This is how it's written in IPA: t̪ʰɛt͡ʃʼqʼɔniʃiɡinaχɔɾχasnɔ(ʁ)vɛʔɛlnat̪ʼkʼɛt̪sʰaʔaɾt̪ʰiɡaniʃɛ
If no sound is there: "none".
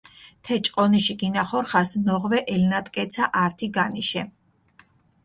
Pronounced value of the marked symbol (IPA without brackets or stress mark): ʁ